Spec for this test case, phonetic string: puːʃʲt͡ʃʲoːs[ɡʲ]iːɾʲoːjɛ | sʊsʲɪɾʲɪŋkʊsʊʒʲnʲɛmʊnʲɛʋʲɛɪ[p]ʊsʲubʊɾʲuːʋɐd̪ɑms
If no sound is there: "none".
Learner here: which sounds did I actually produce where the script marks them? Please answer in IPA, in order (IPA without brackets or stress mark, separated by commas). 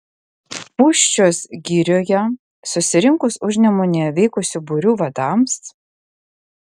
ɡʲ, k